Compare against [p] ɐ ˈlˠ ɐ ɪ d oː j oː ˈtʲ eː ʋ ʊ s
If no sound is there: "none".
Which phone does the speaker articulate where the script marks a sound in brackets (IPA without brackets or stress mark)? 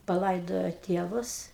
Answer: p